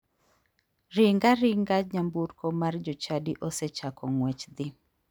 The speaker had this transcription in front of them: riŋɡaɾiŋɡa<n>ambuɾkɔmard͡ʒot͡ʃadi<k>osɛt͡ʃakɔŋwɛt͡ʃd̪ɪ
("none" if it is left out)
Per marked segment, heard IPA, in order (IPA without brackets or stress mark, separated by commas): ɲ, ʔ